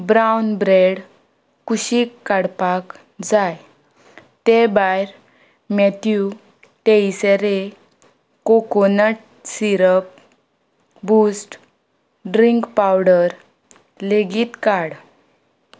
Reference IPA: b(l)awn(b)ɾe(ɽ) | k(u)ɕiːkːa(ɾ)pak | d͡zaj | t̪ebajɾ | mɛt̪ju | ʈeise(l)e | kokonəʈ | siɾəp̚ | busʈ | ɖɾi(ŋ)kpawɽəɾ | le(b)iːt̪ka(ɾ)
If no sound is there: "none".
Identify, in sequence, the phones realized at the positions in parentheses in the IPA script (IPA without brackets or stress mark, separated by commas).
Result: ɾ, b, ɽ, u, ɽ, ɾ, ŋ, ɡ, ɽ